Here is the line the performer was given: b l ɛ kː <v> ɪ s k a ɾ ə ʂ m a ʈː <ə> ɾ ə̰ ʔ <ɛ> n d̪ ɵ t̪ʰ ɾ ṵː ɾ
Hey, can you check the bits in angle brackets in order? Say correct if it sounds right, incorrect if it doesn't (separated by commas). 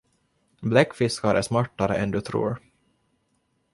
incorrect, incorrect, correct